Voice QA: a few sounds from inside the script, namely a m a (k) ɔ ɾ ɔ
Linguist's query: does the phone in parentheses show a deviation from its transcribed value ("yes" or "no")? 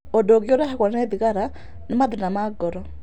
yes